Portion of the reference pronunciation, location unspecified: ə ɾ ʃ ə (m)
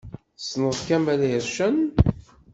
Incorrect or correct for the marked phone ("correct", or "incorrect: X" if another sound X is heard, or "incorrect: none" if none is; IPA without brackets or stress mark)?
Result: incorrect: n